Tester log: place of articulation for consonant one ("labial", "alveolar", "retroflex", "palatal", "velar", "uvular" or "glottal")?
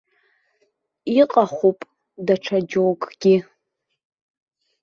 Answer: uvular